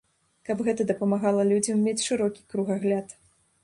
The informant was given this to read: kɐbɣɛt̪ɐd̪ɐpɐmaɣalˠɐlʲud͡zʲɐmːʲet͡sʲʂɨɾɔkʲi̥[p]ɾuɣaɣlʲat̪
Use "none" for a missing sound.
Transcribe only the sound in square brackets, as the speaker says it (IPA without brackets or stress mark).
k